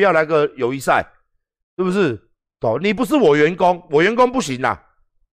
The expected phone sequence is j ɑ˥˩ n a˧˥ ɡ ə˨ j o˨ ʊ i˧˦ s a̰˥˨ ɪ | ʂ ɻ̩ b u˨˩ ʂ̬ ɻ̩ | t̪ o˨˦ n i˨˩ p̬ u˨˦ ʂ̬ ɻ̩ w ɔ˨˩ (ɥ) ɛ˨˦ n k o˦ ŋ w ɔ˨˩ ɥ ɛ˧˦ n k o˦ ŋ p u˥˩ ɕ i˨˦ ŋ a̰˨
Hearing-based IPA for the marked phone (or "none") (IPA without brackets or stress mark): ɥ